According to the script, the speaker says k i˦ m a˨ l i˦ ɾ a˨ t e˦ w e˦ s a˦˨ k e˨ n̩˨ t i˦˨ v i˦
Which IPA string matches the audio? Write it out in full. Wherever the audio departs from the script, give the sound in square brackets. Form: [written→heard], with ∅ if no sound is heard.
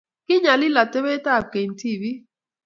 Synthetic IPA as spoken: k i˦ [m→ɲ] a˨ l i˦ [ɾ→l] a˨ t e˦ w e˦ [s→t] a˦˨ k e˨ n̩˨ t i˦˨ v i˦

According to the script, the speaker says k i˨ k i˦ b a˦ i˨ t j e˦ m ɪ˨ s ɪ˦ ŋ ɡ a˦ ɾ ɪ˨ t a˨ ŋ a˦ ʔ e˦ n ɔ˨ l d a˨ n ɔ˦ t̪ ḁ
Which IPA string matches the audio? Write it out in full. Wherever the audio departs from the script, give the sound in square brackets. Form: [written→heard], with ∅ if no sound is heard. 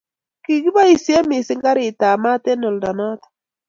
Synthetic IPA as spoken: k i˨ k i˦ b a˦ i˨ [t→s] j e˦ m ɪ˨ s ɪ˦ ŋ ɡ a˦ ɾ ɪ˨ t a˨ [ŋ→m] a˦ [ʔ→t] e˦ n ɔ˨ l d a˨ n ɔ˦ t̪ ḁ

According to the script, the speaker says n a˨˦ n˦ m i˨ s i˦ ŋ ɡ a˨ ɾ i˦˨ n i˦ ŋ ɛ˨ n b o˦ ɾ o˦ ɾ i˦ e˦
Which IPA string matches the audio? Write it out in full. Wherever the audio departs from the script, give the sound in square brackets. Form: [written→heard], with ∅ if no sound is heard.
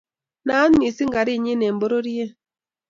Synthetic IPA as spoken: n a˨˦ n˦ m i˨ s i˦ ŋ ɡ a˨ ɾ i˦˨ [n→ɲ] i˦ [ŋ→n] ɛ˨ [n→m] b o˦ ɾ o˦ ɾ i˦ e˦

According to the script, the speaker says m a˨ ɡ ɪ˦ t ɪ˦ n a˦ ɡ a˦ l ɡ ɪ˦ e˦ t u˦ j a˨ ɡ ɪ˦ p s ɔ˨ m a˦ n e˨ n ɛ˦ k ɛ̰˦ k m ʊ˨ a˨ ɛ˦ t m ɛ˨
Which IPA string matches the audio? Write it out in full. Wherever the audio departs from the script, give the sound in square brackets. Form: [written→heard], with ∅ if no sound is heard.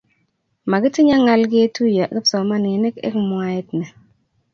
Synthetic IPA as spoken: m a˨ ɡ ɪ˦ t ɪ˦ [n→ɲ] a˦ [ɡ→ŋ] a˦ l ɡ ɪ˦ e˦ t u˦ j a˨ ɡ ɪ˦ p s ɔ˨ m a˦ n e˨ n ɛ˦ k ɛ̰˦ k m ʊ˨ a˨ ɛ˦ t [m→n] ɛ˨

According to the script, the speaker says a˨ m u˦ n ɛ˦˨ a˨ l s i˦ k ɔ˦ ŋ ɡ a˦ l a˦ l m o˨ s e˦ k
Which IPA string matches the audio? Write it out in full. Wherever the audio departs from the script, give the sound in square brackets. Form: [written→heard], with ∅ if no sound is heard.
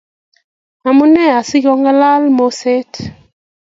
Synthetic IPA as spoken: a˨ m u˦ n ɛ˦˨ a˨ [l→∅] s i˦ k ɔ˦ ŋ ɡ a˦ l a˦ l m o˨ s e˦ [k→t]

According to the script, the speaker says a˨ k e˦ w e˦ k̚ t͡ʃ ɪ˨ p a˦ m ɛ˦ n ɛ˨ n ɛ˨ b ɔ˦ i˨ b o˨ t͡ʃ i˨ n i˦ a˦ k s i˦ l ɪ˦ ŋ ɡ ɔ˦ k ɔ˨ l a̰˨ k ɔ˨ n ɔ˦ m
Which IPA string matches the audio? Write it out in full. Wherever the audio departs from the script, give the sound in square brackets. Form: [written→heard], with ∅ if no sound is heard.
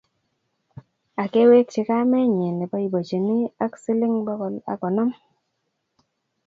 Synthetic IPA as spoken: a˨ k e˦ w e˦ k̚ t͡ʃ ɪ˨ [p→k] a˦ m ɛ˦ [n→ɲ] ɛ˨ n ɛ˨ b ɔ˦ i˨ b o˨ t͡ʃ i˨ n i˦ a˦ k s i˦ l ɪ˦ ŋ [ɡ→b] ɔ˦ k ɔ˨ l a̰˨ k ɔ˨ n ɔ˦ m

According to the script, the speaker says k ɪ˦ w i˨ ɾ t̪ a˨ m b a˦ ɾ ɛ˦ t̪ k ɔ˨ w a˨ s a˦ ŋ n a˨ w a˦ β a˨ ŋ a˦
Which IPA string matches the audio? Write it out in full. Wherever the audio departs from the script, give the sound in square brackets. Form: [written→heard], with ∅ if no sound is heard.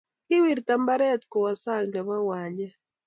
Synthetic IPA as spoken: k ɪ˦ w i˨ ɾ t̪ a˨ m b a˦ ɾ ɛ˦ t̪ k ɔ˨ w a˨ s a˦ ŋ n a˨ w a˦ [β→w] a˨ [ŋ→ɲ] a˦

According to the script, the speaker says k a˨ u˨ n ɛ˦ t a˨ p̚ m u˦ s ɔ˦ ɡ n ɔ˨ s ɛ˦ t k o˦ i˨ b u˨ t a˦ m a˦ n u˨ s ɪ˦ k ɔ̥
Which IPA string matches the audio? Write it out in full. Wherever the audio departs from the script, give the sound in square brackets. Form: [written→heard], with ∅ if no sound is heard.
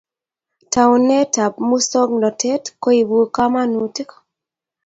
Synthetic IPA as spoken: [k→t] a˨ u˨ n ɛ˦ t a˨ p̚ m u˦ s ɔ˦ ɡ n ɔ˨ [s→t] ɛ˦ t k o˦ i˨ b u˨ [t→k] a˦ m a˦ n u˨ [s→t] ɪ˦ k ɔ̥

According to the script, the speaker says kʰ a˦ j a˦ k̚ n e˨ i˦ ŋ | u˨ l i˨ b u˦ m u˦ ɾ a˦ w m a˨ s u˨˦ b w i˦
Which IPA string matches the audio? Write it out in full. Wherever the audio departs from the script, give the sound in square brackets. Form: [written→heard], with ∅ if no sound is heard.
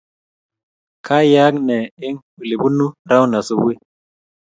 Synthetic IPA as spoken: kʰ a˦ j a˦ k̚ n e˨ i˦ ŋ | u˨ l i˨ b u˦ [m→n] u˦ ɾ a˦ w [m→n] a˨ s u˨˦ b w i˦

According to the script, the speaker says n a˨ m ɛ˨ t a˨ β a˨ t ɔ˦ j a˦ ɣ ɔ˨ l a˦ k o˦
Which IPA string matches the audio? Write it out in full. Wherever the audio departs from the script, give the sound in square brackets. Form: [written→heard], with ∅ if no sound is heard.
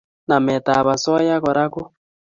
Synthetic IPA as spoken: n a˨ m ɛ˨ t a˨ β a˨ [t→s] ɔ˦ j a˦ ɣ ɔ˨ [l→ɾ] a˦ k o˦

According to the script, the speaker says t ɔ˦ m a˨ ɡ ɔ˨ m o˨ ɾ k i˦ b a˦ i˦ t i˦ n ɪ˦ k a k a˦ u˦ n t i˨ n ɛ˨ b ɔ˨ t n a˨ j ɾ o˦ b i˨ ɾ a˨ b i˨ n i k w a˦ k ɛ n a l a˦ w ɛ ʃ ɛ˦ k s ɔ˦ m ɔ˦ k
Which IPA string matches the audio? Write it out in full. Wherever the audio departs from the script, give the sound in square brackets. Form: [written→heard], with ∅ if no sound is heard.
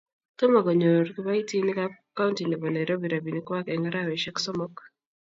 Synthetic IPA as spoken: t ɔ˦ m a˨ ɡ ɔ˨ [m→ɲ] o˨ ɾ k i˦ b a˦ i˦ t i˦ n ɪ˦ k a k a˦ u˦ n t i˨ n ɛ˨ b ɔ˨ [t→∅] n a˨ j ɾ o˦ b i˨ ɾ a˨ b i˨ n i k w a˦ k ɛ [n→ŋ] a [l→ɾ] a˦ w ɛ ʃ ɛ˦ k s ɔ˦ m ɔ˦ k

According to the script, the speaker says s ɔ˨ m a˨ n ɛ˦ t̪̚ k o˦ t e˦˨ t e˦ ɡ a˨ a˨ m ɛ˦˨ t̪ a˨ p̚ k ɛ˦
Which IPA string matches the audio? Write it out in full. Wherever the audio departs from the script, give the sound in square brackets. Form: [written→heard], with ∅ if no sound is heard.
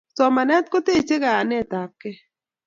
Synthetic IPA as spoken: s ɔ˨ m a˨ n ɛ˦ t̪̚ k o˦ t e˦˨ [t→t͡ʃ] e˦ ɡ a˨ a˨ [m→n] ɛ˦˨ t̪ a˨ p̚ k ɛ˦

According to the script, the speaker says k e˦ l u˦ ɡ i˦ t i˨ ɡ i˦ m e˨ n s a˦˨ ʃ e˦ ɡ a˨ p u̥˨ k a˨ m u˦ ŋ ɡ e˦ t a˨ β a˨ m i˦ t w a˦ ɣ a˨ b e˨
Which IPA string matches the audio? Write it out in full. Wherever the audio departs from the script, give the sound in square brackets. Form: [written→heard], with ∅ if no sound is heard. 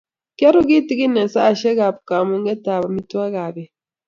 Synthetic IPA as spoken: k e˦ [l→ɾ] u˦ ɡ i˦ t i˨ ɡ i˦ [m→n] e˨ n s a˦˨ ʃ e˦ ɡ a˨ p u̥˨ k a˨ m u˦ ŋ ɡ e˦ t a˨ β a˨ m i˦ t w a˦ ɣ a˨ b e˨

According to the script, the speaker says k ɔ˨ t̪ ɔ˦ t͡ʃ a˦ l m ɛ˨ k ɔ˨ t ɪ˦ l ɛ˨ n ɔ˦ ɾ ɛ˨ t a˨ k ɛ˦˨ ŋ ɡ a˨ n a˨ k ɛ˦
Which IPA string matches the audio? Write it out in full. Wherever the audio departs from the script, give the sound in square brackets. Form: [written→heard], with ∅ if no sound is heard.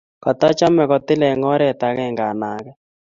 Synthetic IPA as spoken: k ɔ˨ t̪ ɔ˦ t͡ʃ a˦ [l→∅] m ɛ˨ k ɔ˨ t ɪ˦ l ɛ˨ [n→ŋ] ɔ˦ ɾ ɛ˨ t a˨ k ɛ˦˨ ŋ ɡ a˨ n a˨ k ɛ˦

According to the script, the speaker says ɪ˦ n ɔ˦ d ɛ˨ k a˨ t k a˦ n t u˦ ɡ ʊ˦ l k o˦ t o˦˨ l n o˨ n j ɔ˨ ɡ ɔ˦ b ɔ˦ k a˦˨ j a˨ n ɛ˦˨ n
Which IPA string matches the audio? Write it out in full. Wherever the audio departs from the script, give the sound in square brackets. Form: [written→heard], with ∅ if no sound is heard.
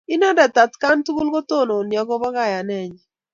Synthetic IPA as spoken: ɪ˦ n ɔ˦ d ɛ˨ [k→t] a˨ t k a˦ n t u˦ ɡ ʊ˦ l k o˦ t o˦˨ [l→∅] n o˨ n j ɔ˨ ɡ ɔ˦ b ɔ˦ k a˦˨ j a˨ n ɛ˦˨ [n→ɲ]

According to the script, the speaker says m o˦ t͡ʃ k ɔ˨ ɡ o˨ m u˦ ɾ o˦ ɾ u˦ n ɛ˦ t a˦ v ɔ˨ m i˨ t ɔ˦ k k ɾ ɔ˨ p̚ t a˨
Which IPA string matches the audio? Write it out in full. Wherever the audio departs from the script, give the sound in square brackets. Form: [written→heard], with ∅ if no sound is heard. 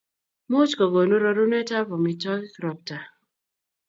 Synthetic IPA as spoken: m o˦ t͡ʃ k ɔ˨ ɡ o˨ [m→n] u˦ ɾ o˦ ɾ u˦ n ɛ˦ t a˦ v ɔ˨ m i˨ t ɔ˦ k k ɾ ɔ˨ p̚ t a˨

